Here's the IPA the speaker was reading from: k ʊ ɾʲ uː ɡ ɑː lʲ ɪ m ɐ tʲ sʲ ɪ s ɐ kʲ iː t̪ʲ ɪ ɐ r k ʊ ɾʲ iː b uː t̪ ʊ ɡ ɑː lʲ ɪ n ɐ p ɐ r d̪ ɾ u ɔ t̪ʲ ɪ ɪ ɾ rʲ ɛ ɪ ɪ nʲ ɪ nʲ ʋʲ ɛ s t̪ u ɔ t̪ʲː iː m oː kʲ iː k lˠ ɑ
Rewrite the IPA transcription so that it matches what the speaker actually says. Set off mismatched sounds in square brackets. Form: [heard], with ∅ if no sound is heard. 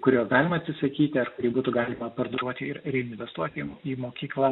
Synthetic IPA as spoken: k ʊ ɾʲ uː ɡ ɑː lʲ ɪ m ɐ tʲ sʲ ɪ s ɐ kʲ iː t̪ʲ ɪ ɐ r k ʊ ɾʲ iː b uː t̪ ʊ ɡ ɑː lʲ ɪ [m] ɐ p ɐ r d̪ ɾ u ɔ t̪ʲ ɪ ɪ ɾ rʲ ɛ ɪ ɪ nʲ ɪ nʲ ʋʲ ɛ s t̪ u ɔ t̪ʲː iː m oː kʲ iː k lˠ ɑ